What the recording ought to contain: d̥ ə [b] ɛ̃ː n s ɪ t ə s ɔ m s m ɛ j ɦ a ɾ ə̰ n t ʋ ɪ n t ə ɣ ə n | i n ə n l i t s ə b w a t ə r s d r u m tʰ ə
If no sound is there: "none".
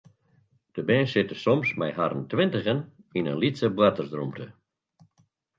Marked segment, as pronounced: b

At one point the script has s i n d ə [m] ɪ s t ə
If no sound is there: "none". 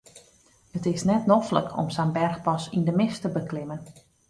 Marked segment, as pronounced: m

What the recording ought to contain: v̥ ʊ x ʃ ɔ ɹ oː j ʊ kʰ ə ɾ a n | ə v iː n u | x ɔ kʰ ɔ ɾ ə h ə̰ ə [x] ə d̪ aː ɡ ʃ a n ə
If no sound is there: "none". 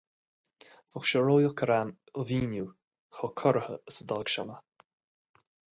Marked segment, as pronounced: s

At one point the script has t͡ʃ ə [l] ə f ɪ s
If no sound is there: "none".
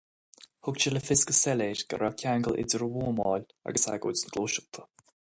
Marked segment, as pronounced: l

